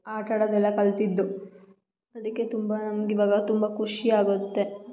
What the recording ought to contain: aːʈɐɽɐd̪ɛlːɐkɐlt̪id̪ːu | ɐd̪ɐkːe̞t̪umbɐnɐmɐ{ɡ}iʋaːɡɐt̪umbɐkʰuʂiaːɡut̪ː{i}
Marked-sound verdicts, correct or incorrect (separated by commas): correct, incorrect